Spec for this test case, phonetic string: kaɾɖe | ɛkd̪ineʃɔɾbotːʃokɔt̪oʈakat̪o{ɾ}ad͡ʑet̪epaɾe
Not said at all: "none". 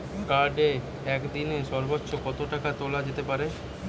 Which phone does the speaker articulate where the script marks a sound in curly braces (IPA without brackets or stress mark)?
l